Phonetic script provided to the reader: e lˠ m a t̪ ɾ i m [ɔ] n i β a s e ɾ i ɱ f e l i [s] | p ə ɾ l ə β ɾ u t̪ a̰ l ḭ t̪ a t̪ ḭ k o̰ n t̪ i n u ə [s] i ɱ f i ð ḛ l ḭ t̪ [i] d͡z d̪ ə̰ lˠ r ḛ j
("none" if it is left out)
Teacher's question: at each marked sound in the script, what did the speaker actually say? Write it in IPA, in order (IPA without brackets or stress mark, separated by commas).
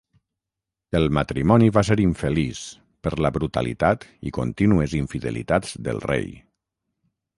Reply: ɔ, s, z, a